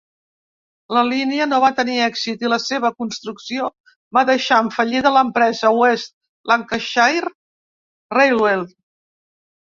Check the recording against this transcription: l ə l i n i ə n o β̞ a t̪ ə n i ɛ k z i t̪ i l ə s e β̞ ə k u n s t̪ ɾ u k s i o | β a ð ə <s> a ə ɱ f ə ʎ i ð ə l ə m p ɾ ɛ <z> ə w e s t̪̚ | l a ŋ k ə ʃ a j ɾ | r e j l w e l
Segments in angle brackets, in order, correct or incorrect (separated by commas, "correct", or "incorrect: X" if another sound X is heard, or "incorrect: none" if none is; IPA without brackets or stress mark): incorrect: ʃ, correct